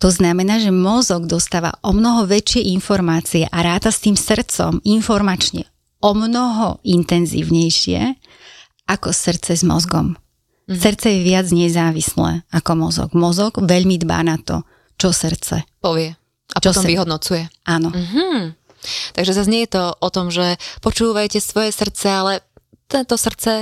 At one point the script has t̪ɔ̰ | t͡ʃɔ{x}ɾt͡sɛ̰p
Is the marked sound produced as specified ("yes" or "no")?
no